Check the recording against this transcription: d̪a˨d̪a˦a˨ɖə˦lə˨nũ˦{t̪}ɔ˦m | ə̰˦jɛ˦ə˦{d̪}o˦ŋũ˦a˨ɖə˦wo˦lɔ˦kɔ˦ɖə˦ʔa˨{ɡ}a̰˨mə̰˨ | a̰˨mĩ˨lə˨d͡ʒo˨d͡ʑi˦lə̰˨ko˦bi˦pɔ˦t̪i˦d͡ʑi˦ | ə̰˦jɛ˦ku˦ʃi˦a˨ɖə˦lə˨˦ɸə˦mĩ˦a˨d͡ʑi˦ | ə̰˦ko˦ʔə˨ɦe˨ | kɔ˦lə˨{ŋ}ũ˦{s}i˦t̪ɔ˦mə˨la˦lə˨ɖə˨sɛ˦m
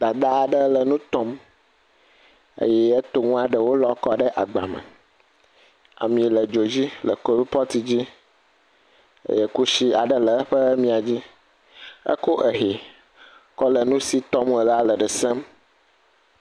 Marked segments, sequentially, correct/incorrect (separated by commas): correct, incorrect, incorrect, incorrect, correct